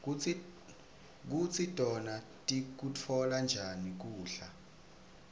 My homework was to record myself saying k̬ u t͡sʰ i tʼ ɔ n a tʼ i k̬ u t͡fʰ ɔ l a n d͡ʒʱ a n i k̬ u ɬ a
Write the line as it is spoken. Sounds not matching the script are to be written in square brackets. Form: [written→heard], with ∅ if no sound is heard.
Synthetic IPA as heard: k̬ u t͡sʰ i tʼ ɔ n a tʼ i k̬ u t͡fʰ ɔ l a n d͡ʒʱ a n i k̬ [u→uː] ɬ a